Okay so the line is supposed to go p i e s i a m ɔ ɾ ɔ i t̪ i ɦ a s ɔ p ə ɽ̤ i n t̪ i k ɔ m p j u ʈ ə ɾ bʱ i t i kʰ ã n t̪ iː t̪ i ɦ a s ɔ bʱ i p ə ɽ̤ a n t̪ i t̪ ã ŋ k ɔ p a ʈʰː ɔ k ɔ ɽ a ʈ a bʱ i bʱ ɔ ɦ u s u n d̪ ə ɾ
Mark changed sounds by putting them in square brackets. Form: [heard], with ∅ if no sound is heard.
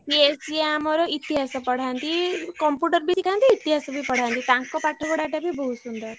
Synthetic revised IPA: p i e s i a m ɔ ɾ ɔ i t̪ i ɦ a s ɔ p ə ɽ̤ [a] n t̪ i k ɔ m p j u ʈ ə ɾ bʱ i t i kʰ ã n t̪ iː t̪ i ɦ a s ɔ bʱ i p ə ɽ̤ a n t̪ i t̪ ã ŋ k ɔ p a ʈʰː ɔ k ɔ ɽ a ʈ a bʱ i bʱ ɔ ɦ u s u n d̪ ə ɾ